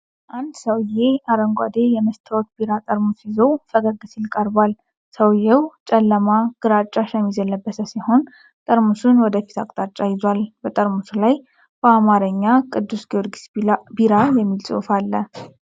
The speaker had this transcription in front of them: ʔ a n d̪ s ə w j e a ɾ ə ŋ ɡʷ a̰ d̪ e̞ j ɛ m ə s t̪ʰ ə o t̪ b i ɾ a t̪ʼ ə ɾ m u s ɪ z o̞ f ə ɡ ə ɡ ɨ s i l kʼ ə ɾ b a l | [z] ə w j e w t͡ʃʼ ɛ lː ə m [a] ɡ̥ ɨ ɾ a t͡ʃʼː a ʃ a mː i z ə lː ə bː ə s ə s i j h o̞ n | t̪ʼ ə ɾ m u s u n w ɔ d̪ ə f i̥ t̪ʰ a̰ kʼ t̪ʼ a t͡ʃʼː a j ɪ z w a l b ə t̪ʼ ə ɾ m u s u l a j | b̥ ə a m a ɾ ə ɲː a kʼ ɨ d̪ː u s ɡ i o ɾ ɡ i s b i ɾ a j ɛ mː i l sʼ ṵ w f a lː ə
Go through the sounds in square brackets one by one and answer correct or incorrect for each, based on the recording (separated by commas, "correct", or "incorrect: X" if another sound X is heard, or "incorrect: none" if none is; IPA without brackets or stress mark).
incorrect: s, correct